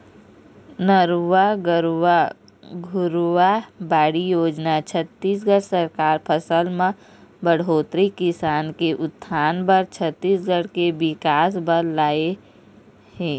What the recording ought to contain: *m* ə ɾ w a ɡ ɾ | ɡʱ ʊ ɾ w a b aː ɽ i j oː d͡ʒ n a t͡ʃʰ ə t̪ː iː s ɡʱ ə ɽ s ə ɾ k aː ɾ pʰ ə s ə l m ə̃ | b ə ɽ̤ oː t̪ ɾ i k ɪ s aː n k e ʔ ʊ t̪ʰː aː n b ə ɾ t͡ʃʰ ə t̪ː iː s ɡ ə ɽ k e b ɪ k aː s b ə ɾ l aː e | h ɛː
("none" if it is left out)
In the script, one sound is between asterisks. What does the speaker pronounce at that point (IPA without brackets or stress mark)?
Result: n